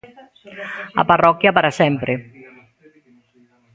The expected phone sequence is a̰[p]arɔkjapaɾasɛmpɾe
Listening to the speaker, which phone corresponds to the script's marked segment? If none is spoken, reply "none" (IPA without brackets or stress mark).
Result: p